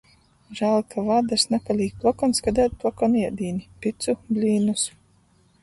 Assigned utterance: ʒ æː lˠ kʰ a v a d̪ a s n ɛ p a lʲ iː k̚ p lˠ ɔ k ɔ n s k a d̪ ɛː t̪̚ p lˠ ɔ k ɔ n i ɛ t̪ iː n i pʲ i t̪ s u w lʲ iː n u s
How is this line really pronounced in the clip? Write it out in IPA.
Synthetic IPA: ʒ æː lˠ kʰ a v a d̪ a s n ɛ p a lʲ iː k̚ p lˠ ɔ k ɔ n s k a d̪ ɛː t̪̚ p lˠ ɔ k ɔ n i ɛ d̪ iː n i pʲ i t̪ s u b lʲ iː n u s